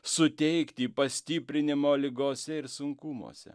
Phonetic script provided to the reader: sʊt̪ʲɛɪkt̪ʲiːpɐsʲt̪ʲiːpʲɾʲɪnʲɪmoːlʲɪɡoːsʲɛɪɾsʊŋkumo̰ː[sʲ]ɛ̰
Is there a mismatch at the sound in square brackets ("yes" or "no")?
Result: no